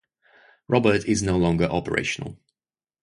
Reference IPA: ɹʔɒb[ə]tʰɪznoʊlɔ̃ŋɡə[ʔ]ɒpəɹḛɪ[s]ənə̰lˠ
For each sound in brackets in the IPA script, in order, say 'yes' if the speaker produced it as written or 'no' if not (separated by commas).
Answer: yes, yes, no